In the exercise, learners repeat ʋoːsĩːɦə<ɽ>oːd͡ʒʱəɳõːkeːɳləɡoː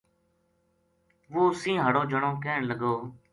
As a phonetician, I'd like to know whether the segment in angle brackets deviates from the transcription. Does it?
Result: no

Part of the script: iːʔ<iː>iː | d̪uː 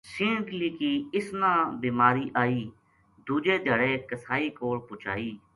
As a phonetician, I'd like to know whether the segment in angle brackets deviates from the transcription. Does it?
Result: yes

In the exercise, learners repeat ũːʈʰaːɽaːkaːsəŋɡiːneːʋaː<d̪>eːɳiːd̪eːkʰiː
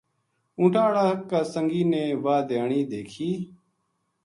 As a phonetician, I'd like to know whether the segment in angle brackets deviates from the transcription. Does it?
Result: no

